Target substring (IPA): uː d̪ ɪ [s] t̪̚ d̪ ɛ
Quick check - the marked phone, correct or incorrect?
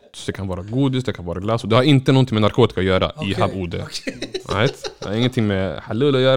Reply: correct